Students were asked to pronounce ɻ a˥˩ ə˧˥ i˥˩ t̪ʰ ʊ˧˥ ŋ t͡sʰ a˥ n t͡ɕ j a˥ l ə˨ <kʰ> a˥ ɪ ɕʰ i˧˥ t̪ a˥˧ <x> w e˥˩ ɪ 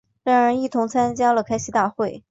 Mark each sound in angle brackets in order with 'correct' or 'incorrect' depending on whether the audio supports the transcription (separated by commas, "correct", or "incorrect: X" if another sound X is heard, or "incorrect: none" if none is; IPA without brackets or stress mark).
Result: correct, correct